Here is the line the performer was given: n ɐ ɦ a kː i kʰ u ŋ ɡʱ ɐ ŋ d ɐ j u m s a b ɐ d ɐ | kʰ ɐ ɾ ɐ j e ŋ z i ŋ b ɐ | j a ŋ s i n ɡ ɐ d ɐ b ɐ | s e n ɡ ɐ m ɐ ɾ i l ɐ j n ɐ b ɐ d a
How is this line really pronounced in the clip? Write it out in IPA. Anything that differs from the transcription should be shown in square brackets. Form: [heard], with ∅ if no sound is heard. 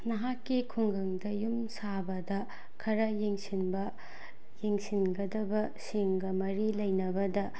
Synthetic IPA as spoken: n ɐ ɦ a kː i kʰ u ŋ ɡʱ ɐ ŋ d ɐ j u m s a b ɐ d ɐ | kʰ ɐ ɾ ɐ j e ŋ [s] i [n] b ɐ | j [e] ŋ s i n ɡ ɐ d ɐ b ɐ | s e [ŋ] ɡ ɐ m ɐ ɾ i l ɐ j n ɐ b ɐ d [ɐ]